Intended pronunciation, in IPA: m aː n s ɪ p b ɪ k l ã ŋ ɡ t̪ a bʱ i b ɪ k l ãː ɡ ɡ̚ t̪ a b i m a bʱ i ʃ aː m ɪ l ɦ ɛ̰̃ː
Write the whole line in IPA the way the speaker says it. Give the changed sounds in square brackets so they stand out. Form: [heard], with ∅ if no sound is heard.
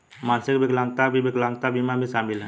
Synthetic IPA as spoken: m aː n s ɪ [k] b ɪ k l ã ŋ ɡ t̪ a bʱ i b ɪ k l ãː [ŋ] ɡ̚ t̪ a b i m a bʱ i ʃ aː m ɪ l ɦ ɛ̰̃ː